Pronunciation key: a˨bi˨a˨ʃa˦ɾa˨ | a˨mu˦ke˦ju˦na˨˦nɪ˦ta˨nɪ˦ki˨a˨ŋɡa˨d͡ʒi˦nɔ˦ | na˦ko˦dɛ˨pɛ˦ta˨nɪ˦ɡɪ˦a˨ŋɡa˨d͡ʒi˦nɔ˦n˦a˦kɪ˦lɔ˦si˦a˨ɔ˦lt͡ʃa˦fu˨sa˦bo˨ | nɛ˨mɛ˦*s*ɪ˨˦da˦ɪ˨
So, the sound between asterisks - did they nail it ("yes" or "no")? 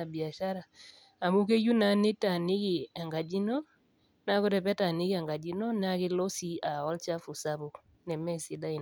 yes